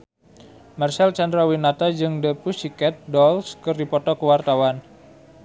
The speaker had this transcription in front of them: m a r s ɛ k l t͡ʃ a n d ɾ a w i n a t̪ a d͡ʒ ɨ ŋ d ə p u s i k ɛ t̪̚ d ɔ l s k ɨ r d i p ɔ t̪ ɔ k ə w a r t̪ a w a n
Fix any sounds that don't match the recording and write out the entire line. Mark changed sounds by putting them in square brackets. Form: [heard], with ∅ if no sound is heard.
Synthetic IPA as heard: m a r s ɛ [∅] l t͡ʃ a n d ɾ a w i n a t̪ a d͡ʒ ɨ ŋ d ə p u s i k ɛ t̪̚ d ɔ l s k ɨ r d i p ɔ t̪ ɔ k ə w a r t̪ a w a n